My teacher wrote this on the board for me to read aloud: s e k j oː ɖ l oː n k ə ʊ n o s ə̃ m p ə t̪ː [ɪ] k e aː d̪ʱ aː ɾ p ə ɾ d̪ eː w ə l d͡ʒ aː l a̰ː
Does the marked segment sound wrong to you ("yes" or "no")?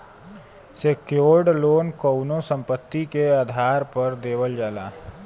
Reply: yes